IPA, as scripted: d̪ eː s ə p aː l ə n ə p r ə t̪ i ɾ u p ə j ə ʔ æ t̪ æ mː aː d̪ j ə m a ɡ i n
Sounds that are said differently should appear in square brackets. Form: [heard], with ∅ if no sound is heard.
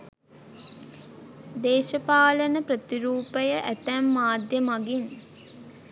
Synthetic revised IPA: d̪ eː [ʃ] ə p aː l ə n ə p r ə t̪ i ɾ [uː] p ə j ə ʔ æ t̪ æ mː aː d̪ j ə m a ɡ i n